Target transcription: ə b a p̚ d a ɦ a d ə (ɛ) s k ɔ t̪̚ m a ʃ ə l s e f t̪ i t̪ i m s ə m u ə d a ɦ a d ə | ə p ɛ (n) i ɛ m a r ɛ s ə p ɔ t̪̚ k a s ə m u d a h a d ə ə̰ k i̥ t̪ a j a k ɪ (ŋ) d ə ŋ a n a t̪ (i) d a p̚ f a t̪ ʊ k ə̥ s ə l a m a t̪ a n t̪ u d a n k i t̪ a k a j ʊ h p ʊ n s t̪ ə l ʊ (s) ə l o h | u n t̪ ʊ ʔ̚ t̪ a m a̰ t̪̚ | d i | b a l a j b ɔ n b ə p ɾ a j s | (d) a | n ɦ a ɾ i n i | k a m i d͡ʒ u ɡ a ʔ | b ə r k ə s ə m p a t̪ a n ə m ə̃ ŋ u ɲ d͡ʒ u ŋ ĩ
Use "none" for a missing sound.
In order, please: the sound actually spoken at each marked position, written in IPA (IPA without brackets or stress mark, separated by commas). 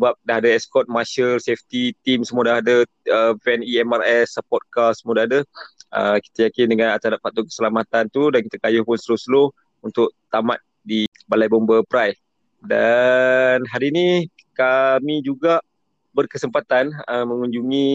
ɛ, n, n, a, s, d